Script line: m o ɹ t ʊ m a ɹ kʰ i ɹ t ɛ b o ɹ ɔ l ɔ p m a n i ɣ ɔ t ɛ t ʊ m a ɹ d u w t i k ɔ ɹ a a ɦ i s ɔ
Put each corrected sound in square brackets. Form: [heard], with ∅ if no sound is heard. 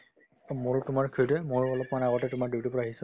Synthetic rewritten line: m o ɹ t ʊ m a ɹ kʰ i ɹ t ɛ [m] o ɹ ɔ l ɔ p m a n [a] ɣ ɔ t ɛ t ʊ m a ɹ d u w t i [p] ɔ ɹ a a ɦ i s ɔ

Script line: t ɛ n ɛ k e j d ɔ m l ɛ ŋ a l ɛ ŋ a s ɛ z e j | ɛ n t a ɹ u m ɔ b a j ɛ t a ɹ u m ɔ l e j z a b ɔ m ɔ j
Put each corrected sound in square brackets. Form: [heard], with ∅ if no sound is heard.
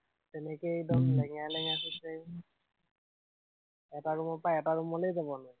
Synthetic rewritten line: t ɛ n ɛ k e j d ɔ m l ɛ ŋ a l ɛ ŋ a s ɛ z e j | ɛ [∅] t a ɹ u m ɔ [p] a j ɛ t a ɹ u m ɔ l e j z a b ɔ [n] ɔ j

